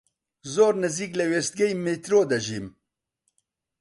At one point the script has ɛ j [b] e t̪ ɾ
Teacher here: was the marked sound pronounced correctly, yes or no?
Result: no